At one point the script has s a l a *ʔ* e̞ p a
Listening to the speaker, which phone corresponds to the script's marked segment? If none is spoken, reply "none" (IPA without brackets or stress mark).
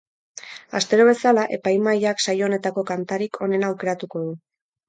ʔ